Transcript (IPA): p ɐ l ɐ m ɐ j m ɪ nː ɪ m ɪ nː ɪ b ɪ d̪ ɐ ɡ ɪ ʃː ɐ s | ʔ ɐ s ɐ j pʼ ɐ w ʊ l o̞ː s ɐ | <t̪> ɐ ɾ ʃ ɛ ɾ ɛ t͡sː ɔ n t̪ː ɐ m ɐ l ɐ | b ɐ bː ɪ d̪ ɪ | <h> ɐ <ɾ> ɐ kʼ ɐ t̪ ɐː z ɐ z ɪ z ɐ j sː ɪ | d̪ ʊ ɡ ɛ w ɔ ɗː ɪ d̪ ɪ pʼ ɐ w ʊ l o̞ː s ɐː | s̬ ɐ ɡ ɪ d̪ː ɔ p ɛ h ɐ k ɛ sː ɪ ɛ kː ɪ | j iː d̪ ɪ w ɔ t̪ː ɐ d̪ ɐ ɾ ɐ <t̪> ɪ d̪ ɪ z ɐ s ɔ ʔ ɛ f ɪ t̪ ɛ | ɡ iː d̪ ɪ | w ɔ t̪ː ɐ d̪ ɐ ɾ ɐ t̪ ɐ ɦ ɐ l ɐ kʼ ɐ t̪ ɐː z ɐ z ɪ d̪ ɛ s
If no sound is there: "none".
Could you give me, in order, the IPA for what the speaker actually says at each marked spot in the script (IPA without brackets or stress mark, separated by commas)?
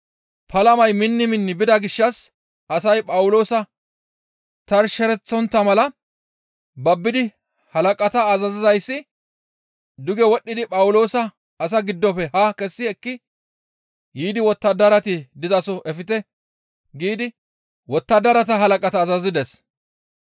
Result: t̪, h, l, t̪